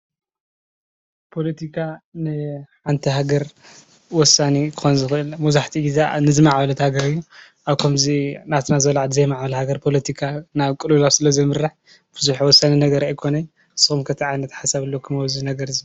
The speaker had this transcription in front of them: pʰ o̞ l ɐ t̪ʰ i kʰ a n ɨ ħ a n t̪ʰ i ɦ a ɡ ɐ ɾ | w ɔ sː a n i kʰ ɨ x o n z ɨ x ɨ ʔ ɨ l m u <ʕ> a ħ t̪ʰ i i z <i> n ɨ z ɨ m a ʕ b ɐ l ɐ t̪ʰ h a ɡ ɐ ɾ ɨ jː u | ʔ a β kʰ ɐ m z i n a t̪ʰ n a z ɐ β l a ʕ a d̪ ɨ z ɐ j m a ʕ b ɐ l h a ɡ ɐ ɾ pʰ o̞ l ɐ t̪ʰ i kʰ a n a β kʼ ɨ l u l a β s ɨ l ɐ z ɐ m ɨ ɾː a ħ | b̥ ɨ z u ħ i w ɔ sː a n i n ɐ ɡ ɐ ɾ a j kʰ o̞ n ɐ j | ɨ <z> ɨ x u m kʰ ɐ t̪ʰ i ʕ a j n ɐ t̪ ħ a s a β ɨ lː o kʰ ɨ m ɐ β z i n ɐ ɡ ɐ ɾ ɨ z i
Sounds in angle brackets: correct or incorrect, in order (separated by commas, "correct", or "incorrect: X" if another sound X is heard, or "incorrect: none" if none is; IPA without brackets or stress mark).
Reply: incorrect: z, incorrect: a, incorrect: s